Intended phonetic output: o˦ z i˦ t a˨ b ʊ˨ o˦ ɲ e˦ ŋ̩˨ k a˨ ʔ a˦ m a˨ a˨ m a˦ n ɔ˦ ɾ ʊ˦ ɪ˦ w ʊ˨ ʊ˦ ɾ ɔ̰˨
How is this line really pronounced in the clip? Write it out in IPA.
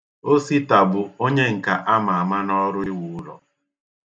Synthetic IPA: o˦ s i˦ t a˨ b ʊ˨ o˦ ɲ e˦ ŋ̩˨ k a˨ ʔ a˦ m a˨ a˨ m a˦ n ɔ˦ ɾ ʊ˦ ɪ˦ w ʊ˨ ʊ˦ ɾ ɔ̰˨